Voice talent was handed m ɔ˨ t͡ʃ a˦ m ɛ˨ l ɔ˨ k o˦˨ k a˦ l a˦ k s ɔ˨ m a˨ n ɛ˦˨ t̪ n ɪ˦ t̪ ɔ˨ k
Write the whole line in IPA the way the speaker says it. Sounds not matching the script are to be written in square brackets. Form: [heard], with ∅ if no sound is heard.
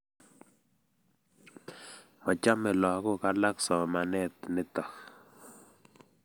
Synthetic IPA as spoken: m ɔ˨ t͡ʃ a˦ m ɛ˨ l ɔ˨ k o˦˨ k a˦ l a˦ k s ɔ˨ m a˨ n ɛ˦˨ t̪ n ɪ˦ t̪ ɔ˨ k